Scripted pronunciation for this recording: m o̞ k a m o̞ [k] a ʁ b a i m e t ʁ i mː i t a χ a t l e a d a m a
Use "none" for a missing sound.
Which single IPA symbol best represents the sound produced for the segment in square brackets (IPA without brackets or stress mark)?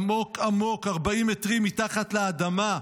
k